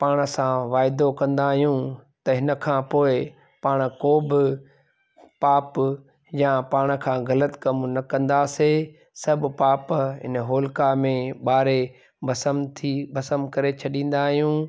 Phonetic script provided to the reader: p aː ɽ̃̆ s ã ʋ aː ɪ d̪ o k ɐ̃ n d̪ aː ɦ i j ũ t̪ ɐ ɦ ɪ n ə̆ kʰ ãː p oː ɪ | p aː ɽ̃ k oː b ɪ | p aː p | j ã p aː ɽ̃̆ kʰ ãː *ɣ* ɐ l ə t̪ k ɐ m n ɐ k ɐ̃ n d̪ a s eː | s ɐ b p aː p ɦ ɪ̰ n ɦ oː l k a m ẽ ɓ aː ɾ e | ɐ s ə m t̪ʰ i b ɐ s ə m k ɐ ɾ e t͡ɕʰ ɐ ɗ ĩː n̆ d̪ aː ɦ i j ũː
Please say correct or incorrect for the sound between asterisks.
correct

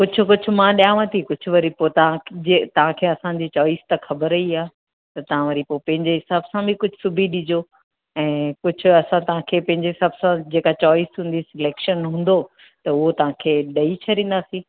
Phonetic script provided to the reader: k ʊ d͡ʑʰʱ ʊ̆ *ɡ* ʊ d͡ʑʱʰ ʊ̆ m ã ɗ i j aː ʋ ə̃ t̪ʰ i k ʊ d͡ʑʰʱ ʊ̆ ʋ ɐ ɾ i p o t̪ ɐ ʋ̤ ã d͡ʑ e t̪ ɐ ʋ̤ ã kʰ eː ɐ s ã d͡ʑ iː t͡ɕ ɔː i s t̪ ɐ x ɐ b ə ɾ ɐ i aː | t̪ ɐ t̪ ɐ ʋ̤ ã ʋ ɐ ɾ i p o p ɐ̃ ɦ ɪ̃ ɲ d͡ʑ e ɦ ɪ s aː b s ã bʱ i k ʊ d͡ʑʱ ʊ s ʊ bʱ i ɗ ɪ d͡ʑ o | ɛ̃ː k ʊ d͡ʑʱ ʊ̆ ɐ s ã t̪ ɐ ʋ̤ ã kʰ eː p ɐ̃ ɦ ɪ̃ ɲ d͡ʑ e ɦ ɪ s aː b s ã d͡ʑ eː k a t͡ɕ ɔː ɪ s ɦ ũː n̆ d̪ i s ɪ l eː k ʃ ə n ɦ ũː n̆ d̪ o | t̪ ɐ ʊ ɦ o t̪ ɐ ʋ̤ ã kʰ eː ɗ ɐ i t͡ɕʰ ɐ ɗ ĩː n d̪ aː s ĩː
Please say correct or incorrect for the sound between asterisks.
incorrect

